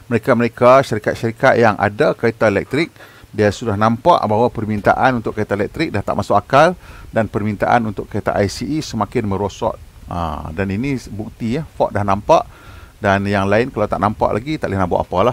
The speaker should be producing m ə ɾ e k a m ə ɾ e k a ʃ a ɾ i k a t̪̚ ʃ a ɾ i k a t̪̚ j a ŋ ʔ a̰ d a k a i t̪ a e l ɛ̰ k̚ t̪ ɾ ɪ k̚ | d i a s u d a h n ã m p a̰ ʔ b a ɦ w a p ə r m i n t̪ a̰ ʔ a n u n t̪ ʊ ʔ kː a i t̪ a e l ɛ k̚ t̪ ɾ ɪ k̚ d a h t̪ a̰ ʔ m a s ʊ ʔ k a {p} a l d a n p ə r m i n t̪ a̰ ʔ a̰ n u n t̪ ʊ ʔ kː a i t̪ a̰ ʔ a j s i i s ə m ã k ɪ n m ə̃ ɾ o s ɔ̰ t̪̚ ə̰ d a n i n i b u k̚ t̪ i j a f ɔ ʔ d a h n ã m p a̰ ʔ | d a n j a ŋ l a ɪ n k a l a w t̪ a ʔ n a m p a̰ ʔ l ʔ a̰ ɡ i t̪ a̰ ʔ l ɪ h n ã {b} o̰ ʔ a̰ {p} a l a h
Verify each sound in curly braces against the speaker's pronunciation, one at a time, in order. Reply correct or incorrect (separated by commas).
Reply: incorrect, correct, correct